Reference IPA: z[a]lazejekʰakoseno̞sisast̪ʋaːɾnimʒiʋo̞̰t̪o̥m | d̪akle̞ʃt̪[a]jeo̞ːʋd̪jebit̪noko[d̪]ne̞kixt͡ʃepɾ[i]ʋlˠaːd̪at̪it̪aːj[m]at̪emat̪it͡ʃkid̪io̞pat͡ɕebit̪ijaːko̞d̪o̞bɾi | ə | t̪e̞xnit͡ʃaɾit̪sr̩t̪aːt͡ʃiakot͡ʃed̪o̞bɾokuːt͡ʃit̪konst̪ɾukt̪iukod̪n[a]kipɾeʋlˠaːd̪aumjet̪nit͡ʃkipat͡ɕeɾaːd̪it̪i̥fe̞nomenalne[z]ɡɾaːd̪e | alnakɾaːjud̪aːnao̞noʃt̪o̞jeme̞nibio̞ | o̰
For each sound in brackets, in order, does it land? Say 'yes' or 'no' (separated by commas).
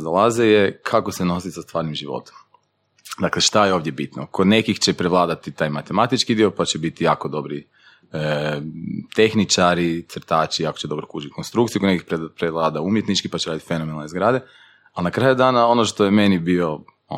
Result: yes, yes, yes, no, yes, no, yes